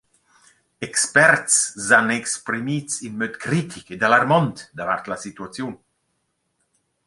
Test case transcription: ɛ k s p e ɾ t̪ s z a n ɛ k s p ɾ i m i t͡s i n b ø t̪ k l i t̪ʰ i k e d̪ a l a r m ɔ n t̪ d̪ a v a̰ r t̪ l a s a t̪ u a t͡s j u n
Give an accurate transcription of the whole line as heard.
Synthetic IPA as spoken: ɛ k s p ɛ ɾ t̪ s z a n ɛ k s p ɾ i m i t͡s i n m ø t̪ k ɾ i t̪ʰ i k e d̪ a l a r m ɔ n t̪ d̪ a v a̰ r t̪ l a s i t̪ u a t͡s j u n

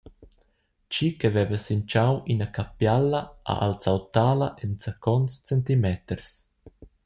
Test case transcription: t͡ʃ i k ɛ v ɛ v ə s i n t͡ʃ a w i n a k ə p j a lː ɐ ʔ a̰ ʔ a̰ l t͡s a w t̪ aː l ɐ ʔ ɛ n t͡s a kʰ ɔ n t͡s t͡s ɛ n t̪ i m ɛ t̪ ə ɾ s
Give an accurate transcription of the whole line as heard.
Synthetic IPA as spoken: t͡ʃ i k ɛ v ɛ v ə s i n t͡ʃ a w i n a k a p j a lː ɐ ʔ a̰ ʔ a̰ l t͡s a w t̪ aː l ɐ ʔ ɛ n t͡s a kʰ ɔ n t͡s t͡s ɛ n t̪ i m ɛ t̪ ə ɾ s

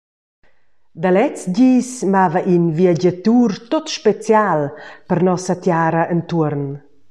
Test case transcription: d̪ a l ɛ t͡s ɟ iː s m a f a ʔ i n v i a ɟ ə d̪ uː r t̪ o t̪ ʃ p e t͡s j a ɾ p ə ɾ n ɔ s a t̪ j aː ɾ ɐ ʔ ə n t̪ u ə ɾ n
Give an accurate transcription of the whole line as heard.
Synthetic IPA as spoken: d̪ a l ɛ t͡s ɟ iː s m a v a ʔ i n v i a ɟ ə t̪ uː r t̪ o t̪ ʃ p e t͡s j a l p ə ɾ n ɔ s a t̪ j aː ɾ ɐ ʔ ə n t̪ u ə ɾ n

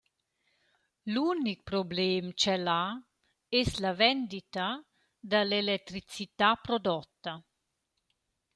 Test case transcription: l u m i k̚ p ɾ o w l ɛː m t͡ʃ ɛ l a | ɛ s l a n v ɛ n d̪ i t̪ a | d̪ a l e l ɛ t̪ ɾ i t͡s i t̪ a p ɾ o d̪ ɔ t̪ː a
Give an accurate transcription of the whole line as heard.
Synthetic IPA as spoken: l u n i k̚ p ɾ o b l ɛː m t͡ʃ ɛ l a | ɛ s l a v ɛ n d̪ i t̪ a | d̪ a l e l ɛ t̪ ɾ i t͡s i t̪ a p ɾ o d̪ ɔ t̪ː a

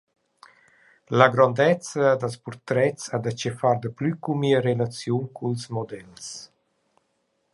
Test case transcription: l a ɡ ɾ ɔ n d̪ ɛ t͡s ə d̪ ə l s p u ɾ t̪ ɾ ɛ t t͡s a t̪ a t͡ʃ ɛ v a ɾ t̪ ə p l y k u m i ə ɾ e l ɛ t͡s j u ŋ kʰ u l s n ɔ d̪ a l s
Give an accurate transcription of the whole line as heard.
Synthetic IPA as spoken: l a ɡ ɾ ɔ n d̪ ɛ t͡s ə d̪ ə l s p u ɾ t̪ ɾ ɛ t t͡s a d̪ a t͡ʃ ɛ f a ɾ d̪ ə p l y k u m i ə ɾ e l a t͡s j u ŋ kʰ u l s m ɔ d̪ ɛ l s

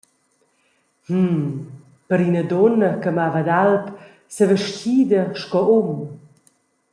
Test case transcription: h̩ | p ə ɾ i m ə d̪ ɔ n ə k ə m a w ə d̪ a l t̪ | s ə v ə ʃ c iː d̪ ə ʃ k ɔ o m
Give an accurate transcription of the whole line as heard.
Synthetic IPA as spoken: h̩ | p ə ɾ i n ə d̪ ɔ n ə k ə m a v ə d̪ a l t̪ | s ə v ə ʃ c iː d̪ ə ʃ k ɔ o m

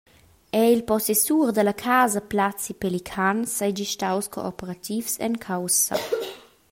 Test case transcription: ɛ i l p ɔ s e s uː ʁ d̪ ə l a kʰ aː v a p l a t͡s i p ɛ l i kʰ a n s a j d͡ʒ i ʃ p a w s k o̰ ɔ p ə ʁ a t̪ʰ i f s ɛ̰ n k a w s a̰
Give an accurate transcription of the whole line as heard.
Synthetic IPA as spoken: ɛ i l p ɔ s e s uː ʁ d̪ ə l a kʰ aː z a p l a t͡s i p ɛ l i kʰ a n s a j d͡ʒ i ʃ t a w s k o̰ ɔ p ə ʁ a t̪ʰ i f s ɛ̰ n kʰ a w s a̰

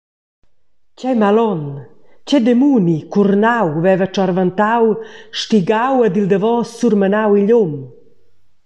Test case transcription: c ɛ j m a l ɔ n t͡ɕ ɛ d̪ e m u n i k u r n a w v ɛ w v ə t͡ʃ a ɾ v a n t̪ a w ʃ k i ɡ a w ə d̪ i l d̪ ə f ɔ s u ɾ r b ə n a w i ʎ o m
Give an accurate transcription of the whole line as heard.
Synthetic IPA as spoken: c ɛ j m a l ɔ n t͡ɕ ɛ d̪ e m u n i k u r n a w v ɛ v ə t͡ʃ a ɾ v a n t̪ a w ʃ t i ɡ a w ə d̪ i l d̪ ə v ɔ s u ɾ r m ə n a w i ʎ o m

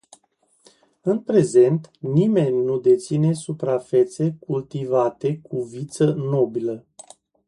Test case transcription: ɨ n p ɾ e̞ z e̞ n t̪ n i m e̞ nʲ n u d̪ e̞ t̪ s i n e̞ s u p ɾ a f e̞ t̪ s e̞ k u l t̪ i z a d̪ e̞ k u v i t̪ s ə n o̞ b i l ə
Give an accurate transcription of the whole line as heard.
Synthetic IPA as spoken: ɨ n p ɾ e̞ z e̞ n t̪ n i m e̞ nʲ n u d̪ e̞ t̪ s i n e̞ s u p ɾ a f e̞ t̪ s e̞ k u l t̪ i v a t̪ e̞ k u v i t̪ s ə n o̞ b i l ə

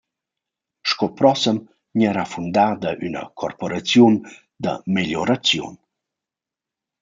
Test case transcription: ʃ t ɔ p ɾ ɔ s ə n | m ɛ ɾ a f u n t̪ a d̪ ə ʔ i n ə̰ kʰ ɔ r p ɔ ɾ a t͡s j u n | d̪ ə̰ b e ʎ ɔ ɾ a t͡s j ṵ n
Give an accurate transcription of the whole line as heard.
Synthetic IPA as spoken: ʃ k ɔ p ɾ ɔ s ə m | ɲ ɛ ɾ a f u n d̪ a d̪ ə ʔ y n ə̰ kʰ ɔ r p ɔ ɾ a t͡s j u n | d̪ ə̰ m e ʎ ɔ ɾ a t͡s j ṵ n

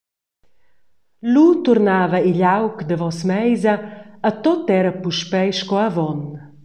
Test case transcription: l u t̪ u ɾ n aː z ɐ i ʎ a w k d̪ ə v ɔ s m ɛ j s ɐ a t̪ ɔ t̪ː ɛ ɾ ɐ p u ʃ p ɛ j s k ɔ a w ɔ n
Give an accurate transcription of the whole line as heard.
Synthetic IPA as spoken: l u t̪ u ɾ n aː v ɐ i ʎ a w k d̪ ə v ɔ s m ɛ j z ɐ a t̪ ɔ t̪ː ɛ ɾ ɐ p u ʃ p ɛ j ʃ k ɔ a v ɔ n

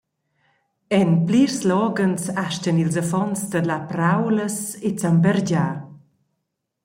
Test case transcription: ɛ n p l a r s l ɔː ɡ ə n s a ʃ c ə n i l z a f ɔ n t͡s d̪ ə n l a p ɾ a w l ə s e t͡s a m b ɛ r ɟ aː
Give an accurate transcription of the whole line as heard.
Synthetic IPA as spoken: ɛ n p l i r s l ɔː ɡ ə n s a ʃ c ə n i l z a f ɔ n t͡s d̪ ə l a p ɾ a w l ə s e t͡s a m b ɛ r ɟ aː

